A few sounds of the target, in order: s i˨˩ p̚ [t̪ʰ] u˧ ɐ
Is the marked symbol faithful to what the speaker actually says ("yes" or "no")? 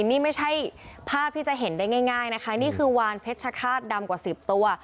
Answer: no